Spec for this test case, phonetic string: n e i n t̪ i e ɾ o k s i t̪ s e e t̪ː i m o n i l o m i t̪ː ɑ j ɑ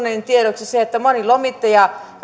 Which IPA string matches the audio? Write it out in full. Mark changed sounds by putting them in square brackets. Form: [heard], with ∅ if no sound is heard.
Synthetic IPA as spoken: n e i n t̪ i e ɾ o k s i [∅] s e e t̪ː [æ] m o n i l o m i t̪ː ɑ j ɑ